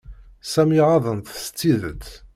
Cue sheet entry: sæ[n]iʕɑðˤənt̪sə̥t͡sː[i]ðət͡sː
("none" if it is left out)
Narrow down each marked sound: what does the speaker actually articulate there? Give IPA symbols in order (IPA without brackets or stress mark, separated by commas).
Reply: m, i